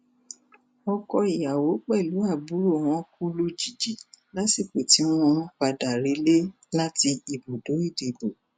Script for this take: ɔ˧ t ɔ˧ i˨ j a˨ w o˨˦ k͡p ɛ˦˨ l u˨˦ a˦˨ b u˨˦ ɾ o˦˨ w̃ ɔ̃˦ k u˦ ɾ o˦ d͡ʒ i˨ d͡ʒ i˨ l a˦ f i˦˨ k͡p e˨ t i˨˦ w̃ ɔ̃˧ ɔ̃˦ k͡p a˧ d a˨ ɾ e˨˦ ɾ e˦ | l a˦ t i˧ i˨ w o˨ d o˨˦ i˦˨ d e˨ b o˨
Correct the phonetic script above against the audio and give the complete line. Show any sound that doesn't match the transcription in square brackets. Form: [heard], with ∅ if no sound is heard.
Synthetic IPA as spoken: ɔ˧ [k] ɔ˧ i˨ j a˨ w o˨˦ k͡p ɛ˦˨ l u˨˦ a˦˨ b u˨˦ ɾ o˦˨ w̃ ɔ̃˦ k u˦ [l] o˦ d͡ʒ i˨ d͡ʒ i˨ l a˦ [s] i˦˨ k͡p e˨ t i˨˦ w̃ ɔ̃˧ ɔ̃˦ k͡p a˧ d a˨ ɾ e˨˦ [l] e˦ | l a˦ t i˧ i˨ [b] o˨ d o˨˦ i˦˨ d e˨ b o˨